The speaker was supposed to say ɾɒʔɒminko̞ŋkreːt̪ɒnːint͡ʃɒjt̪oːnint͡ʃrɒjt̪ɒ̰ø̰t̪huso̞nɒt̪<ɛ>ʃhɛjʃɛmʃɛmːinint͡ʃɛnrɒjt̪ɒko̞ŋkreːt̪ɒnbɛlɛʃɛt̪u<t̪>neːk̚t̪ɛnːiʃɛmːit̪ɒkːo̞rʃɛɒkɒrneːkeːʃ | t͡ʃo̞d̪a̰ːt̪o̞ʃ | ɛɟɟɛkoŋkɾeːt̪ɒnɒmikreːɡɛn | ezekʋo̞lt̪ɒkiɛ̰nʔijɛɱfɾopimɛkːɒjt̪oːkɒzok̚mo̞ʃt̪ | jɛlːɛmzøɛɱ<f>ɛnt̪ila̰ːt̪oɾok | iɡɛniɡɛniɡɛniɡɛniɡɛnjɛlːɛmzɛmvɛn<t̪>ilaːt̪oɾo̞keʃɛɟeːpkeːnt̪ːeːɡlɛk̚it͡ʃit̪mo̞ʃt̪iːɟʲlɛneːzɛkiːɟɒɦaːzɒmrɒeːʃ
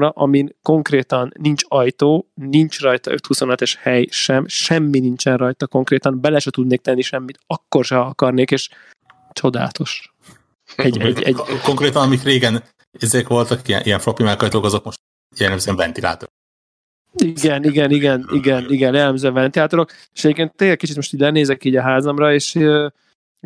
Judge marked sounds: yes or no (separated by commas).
yes, no, no, yes